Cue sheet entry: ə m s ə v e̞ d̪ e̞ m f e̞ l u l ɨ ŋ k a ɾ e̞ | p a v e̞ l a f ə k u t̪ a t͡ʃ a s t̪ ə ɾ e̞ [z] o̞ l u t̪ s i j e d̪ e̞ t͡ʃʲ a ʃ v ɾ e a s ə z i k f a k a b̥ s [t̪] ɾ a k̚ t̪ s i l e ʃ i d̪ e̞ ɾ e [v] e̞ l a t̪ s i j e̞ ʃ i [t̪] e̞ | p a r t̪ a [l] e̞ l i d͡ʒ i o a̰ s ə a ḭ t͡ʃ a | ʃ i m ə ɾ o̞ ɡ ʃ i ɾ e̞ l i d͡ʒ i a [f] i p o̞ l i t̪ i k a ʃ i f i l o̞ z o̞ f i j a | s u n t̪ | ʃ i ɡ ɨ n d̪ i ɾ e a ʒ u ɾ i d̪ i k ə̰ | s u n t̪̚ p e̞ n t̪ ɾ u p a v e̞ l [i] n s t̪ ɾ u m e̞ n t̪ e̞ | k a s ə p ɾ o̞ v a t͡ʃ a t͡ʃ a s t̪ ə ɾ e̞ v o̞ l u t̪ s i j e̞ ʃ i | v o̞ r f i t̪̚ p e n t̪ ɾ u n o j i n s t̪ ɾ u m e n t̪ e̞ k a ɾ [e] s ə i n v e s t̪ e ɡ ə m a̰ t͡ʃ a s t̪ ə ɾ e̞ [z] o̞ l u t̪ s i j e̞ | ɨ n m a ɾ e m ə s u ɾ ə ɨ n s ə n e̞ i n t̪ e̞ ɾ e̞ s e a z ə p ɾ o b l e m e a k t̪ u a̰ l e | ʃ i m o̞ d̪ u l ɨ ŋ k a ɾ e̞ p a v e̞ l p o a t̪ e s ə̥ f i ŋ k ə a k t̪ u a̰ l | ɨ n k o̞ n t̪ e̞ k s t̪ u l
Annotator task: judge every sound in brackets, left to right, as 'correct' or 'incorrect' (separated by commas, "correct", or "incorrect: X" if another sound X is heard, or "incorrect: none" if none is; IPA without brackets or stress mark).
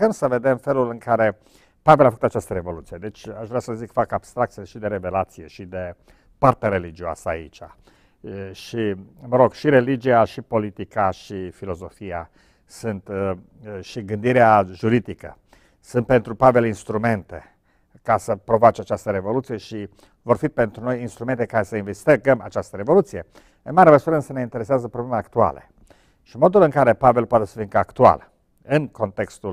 incorrect: v, correct, correct, incorrect: d̪, incorrect: ɾ, incorrect: ʃ, correct, correct, incorrect: v